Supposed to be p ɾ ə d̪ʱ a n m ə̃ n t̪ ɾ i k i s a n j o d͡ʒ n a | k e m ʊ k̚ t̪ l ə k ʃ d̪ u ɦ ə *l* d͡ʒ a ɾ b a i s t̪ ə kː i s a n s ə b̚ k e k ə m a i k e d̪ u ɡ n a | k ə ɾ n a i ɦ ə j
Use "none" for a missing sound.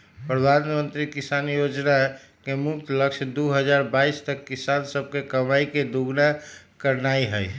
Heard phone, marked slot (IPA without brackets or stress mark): none